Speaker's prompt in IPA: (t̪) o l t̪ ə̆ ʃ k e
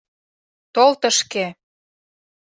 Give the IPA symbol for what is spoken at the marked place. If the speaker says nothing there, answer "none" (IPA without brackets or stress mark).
t̪